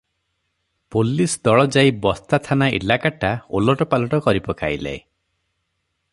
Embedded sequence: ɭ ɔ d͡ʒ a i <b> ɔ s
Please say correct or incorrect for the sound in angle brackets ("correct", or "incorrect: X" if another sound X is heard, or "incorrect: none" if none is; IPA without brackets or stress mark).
correct